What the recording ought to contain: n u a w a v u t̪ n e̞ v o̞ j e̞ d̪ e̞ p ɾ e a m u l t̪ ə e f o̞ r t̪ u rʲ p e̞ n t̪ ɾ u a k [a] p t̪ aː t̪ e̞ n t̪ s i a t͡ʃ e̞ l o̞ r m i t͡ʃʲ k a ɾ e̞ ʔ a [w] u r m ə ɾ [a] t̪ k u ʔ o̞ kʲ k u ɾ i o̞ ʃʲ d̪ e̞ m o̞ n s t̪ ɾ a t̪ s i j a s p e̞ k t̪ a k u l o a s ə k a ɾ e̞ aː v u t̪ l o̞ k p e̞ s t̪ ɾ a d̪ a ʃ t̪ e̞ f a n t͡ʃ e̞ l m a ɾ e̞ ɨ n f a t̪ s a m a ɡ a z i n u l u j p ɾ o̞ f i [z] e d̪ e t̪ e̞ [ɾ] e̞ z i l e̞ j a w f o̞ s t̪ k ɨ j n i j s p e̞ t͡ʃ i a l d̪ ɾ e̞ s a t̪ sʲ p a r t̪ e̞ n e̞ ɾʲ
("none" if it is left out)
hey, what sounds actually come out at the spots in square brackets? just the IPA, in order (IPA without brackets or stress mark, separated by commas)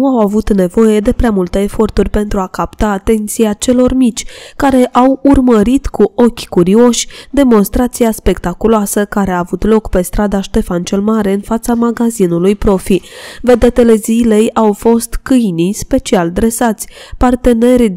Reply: a, w, i, v, l